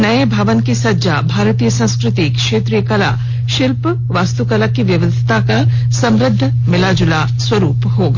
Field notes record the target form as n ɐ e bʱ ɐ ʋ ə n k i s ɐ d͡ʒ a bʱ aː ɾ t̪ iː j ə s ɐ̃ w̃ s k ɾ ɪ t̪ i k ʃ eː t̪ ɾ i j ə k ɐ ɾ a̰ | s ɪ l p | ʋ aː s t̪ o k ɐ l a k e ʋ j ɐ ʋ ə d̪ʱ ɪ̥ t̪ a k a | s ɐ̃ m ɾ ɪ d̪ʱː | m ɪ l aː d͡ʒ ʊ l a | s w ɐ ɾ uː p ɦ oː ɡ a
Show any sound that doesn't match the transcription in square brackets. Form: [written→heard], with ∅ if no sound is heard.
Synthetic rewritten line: n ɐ e bʱ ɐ ʋ ə n k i s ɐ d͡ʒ a bʱ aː ɾ t̪ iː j ə s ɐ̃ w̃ s k ɾ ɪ t̪ i k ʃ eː t̪ ɾ i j ə k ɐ [ɾ→l] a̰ | [s→ʃ] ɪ l p | ʋ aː s t̪ [o→u] k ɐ l a k [e→i] ʋ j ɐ ʋ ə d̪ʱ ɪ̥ t̪ a k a | s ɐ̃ m ɾ ɪ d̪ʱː | m ɪ l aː d͡ʒ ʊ l a | s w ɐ ɾ uː p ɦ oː ɡ a